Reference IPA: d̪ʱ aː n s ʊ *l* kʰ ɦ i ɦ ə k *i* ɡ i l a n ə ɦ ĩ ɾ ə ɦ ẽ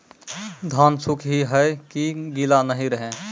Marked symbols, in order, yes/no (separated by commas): no, yes